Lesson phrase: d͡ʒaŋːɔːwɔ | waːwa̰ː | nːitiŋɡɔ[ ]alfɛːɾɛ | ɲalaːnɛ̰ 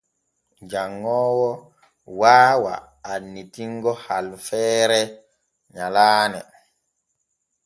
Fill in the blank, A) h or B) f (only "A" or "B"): A